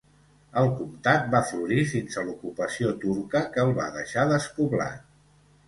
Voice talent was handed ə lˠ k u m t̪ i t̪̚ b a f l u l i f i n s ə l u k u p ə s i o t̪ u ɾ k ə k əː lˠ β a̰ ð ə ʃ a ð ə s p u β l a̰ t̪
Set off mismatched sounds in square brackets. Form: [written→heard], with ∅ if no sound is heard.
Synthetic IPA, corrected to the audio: ə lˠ k u m t̪ [i→a] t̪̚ b a f l u [l→ɾ] i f i n s ə l u k u p ə s i o t̪ u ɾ k ə k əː lˠ β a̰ ð ə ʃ a ð ə s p u β l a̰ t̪

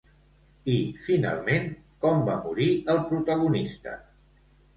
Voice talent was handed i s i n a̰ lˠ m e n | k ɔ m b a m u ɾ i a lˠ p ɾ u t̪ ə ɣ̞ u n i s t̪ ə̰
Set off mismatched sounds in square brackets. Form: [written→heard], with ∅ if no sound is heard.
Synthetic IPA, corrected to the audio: i [s→f] i n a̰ lˠ m e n | k ɔ m b a m u ɾ i [a→ə] lˠ p ɾ u t̪ ə ɣ̞ u n i s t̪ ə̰

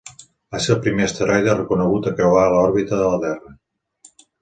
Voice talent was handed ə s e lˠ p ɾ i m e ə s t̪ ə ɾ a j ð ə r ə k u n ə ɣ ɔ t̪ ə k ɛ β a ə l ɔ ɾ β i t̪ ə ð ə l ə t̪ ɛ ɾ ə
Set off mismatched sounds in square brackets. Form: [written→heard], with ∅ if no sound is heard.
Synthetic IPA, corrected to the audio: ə s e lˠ p ɾ i m e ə s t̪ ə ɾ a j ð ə r ə k u n ə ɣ [ɔ→u] t̪ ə k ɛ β a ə l ɔ ɾ β i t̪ ə ð ə l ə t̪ ɛ [ɾ→r] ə

